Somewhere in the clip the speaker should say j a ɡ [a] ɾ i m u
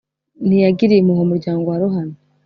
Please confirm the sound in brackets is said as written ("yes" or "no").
no